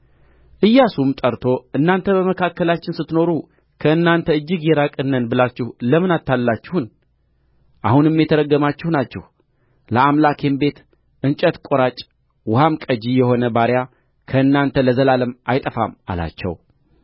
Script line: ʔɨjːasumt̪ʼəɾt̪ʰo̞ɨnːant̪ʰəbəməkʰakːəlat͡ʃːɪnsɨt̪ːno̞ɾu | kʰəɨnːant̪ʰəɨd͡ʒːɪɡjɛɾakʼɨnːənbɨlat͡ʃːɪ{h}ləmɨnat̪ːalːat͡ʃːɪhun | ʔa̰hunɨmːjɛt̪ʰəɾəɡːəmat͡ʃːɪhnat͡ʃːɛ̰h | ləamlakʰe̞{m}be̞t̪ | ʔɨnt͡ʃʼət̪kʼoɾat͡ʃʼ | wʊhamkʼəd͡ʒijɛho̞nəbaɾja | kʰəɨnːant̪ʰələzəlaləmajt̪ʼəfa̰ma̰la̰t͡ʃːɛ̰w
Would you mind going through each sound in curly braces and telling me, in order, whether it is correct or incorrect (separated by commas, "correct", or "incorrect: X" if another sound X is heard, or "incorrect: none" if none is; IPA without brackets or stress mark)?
correct, correct